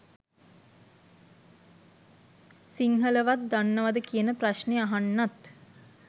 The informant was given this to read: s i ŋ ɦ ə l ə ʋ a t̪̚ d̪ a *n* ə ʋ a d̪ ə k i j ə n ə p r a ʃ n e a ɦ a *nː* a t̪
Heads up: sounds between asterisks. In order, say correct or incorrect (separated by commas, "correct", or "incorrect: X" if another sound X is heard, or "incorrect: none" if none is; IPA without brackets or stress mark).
incorrect: nː, correct